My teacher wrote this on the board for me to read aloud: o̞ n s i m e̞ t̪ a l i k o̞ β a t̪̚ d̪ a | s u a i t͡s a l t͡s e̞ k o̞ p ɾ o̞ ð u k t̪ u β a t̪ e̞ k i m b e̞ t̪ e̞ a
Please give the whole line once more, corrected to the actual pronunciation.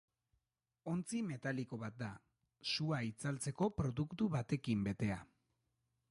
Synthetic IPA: o̞ n t͡s i m e̞ t̪ a l i k o̞ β a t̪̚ d̪ a | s u a i t͡s a l t͡s e̞ k o̞ p ɾ o̞ ð u k t̪ u β a t̪ e̞ k i m b e̞ t̪ e̞ a